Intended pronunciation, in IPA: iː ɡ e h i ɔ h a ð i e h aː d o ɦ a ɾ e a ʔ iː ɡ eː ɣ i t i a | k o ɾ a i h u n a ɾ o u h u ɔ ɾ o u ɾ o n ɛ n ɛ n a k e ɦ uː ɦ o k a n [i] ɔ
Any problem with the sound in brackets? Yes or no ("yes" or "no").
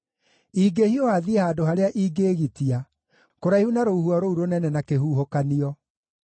no